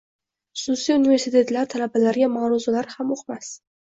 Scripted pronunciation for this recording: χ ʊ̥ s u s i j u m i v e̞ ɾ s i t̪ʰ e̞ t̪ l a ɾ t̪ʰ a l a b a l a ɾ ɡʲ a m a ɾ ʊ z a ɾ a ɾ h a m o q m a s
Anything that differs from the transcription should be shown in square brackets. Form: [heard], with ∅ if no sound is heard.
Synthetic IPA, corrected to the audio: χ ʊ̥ s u s i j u [n] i v e̞ ɾ s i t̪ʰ e̞ t̪ l a ɾ t̪ʰ a l a b a l a ɾ ɡʲ a m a ɾ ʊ z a [l] a ɾ h a m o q m a s

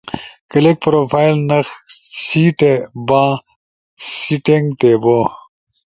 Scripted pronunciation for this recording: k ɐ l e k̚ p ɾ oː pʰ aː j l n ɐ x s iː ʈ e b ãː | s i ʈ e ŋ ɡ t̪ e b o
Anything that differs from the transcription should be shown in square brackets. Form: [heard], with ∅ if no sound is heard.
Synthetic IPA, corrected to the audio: k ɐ l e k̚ p ɾ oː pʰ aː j l n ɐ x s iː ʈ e b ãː | s i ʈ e ŋ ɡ t̪ e b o

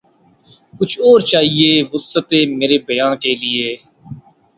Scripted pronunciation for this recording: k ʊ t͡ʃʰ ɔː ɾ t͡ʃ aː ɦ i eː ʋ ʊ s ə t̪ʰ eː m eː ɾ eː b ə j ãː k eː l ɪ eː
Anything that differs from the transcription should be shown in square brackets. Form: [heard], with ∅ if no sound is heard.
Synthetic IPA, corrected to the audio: k ʊ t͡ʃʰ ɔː ɾ t͡ʃ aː ɦ i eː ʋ ʊ s ə [t̪] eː m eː ɾ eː b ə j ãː k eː l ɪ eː

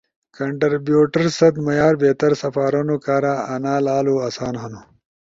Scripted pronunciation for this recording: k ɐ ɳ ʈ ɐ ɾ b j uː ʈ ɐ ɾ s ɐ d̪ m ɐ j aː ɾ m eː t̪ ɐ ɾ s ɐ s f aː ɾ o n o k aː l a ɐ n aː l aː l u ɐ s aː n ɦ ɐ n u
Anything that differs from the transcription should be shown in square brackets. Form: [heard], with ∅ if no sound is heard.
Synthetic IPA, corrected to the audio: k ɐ ɳ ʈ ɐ ɾ b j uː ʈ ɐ ɾ s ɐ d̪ m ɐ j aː ɾ [b] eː t̪ ɐ ɾ s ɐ [∅] f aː ɾ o n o k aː [ɾ] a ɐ n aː l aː l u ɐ s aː n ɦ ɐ n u

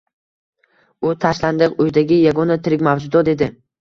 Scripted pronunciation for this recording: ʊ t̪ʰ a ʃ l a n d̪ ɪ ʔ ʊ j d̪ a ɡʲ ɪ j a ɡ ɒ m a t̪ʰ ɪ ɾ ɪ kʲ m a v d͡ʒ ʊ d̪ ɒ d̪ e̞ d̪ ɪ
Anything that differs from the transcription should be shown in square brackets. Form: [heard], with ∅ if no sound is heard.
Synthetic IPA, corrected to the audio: ʊ t̪ʰ a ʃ l a n d̪ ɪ [q] ʊ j d̪ a ɡʲ ɪ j a ɡ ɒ [n] a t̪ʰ ɪ ɾ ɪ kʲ m a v d͡ʒ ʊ d̪ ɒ d̪ e̞ d̪ ɪ

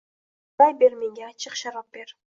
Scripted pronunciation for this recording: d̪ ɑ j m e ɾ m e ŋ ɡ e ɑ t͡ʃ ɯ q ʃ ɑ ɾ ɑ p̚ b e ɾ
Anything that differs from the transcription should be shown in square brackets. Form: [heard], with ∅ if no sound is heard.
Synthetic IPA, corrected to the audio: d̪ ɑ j [b] e ɾ m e ŋ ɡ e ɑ t͡ʃ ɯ q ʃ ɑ ɾ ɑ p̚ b e ɾ

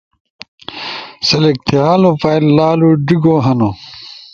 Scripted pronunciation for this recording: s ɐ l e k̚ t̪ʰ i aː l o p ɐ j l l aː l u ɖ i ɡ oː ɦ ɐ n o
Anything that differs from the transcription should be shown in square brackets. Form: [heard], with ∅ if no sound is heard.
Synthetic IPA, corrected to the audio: s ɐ l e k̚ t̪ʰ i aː l o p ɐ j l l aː l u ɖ i ɡ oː ɦ ɐ n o

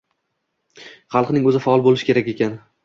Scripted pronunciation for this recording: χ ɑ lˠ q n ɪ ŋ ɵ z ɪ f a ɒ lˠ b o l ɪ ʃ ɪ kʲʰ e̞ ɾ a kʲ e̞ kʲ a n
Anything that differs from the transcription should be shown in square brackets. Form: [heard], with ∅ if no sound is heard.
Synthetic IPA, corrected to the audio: χ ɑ lˠ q n ɪ ŋ ɵ z ɪ f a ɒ lˠ b o l ɪ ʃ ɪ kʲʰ e̞ ɾ a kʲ e̞ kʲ a n

